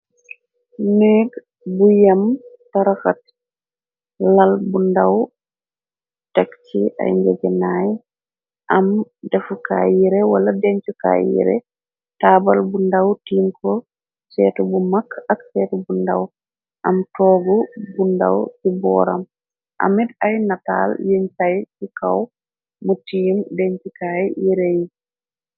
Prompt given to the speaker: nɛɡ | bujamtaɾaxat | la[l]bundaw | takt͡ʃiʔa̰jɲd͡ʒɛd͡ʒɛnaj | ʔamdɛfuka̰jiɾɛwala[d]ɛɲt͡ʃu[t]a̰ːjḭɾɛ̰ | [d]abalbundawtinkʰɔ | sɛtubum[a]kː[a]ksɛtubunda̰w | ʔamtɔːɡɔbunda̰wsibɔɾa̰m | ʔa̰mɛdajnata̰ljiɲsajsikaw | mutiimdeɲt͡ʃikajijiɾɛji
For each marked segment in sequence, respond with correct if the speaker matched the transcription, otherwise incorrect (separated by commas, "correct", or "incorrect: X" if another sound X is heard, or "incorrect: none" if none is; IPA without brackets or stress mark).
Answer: correct, correct, incorrect: k, incorrect: t, correct, correct